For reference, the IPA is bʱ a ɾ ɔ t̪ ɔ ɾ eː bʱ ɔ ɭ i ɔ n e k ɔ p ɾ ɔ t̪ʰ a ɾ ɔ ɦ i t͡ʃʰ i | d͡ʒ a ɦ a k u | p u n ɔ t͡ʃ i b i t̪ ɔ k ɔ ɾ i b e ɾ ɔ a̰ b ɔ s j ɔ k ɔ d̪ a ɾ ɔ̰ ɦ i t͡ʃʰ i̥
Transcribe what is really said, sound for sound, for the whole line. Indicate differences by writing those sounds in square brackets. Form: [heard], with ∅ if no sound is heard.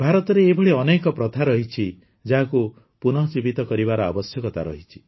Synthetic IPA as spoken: bʱ a ɾ ɔ t̪ ɔ ɾ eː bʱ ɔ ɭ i ɔ n e k ɔ p ɾ ɔ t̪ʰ a ɾ ɔ ɦ i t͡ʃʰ i | d͡ʒ a ɦ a k u | p u n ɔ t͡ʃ i b i t̪ ɔ k ɔ ɾ i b [a] ɾ ɔ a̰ b ɔ s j ɔ k ɔ [t̪] a ɾ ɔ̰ ɦ i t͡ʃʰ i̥

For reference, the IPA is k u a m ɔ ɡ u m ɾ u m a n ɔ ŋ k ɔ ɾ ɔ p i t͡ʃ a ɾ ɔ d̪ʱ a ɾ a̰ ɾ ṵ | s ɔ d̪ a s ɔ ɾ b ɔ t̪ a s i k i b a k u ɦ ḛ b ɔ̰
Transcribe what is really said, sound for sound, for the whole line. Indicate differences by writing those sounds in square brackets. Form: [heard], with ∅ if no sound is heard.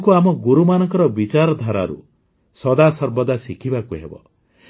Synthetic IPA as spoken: k u a m ɔ ɡ u [∅] ɾ u m a n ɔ ŋ k ɔ ɾ ɔ [b] i t͡ʃ a ɾ ɔ d̪ʱ a ɾ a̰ ɾ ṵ | s ɔ d̪ a s ɔ ɾ b ɔ [d̪] a s i [kʰ] i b a k u ɦ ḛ b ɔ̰

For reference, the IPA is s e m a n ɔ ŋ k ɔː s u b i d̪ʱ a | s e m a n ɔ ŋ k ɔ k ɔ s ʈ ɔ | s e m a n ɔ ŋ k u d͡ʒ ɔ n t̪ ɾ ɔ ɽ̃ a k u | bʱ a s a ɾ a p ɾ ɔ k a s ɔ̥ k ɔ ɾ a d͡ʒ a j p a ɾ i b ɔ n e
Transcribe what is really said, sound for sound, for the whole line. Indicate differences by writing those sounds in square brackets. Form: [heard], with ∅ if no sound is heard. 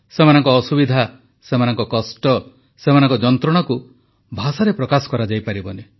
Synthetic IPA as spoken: s e m a n ɔ ŋ k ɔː s u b i d̪ʱ a | s e m a n ɔ ŋ k ɔ k ɔ s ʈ ɔ | s e m a n ɔ ŋ k [ɔ] d͡ʒ ɔ n t̪ ɾ ɔ ɽ̃ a k u | bʱ a s a ɾ [e] p ɾ ɔ k a s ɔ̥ k ɔ ɾ a d͡ʒ a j p a ɾ i b ɔ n e

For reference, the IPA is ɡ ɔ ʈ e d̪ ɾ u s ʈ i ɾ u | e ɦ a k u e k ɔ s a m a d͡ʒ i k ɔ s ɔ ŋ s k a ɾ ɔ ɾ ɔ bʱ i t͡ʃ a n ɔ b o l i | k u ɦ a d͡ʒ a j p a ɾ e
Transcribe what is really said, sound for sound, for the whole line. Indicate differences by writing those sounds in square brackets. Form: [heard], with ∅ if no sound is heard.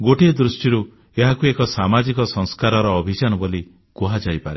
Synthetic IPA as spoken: ɡ [o] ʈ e d̪ ɾ u s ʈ i ɾ u | e ɦ a k u e k ɔ s a m a d͡ʒ i k ɔ s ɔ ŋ s k a ɾ ɔ ɾ [ɔː] bʱ i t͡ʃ a n ɔ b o l i | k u ɦ a d͡ʒ a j p a ɾ e

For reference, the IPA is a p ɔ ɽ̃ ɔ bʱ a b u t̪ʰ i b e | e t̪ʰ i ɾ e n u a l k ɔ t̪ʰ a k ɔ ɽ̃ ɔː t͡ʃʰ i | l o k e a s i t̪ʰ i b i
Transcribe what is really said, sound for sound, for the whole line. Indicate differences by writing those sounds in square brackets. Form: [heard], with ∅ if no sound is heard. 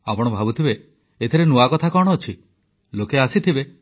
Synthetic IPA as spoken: a p ɔ ɽ̃ ɔ bʱ a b u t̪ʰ i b e | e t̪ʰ i ɾ e n u a [∅] k ɔ t̪ʰ a k ɔ ɽ̃ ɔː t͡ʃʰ i | l o k e a s i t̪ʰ i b [e]

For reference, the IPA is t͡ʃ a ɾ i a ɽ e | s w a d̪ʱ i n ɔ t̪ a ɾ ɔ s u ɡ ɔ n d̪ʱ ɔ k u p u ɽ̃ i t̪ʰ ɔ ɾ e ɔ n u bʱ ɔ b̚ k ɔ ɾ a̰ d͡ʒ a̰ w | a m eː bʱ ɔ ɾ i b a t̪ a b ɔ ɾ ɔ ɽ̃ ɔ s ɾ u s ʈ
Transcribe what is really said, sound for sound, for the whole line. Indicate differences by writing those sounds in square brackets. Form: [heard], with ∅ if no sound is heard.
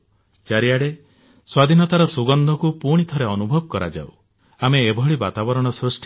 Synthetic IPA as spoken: t͡ʃ a ɾ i a ɽ e | s w a d̪ʱ i n ɔ t̪ a ɾ ɔ s u ɡ ɔ n d̪ʱ ɔ k u p u ɽ̃ i t̪ʰ ɔ ɾ e ɔ n u bʱ ɔ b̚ k ɔ ɾ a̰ d͡ʒ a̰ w | a m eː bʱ ɔ [ɭ] i b a t̪ a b ɔ ɾ ɔ ɽ̃ ɔ s ɾ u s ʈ

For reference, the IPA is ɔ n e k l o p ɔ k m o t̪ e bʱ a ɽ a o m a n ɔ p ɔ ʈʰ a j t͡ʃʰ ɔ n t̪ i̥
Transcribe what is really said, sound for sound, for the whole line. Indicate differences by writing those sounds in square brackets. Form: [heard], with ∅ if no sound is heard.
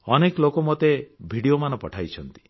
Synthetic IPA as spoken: ɔ n e k l o [k] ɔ [∅] m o t̪ e bʱ [i] ɽ [i] o m a n ɔ p ɔ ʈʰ a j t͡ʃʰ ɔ n t̪ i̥

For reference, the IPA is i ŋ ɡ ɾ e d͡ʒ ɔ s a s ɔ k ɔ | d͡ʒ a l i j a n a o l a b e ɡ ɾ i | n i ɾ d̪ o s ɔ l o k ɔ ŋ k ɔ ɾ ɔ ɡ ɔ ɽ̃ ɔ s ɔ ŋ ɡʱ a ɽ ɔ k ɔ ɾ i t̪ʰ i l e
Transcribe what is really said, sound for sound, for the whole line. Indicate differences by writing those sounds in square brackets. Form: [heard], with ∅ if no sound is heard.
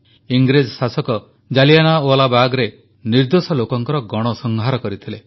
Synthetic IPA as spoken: i ŋ ɡ ɾ e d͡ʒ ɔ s a s ɔ k ɔ | d͡ʒ a l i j a n a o l a b [a] ɡ ɾ [e] | n i ɾ d̪ o s ɔ l o k ɔ ŋ k ɔ ɾ ɔ ɡ ɔ ɽ̃ ɔ s ɔ ŋ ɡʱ a [ɾ] ɔ k ɔ ɾ i t̪ʰ i l e

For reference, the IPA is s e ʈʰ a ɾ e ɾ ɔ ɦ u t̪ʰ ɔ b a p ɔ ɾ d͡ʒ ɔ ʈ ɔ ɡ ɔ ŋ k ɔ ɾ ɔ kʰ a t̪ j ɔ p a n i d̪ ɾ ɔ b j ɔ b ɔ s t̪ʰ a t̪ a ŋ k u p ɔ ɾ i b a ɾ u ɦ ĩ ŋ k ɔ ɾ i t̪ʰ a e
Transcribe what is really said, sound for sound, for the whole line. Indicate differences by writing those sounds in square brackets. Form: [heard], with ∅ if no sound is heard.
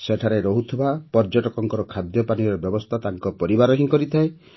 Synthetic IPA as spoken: s e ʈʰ a ɾ e ɾ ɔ ɦ u t̪ʰ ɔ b a p ɔ ɾ d͡ʒ ɔ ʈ ɔ [k] ɔ ŋ k ɔ ɾ ɔ kʰ a [d̪] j ɔ p a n i [∅] ɾ ɔ b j ɔ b ɔ s t̪ʰ a t̪ a ŋ k [ɔ] p ɔ ɾ i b a ɾ [ɔ] ɦ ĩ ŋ k ɔ ɾ i t̪ʰ a e

